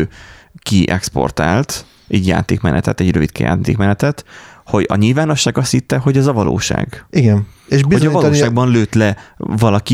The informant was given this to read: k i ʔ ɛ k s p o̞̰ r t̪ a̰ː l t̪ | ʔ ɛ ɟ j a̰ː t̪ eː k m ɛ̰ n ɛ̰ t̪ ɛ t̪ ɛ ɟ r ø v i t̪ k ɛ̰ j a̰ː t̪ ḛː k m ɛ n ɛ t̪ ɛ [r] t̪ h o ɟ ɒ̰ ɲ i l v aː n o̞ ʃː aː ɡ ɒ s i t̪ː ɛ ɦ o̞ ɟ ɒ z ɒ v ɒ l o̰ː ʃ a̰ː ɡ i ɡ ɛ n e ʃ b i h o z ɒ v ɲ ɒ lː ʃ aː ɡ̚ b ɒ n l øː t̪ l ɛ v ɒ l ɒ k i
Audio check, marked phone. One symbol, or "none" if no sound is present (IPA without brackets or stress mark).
none